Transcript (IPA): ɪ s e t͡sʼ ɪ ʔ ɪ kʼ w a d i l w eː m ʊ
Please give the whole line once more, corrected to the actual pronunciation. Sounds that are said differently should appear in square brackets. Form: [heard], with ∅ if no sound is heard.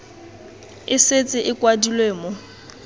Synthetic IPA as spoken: ɪ s e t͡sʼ ɪ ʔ ɪ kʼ w a d i l w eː m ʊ